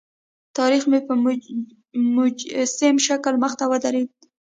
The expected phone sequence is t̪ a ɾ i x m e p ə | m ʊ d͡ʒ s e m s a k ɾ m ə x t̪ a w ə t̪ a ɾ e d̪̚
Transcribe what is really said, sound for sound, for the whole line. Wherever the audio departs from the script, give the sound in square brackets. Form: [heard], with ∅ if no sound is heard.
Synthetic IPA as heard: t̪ [ɑ] ɾ i x m e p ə | m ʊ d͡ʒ s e m [ʃ] a k [l] m ə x t̪ a w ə [d̪] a ɾ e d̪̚